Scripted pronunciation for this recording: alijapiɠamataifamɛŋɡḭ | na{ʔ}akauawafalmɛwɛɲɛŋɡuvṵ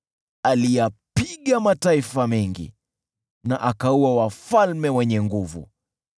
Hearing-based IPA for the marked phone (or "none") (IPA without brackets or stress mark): ʔ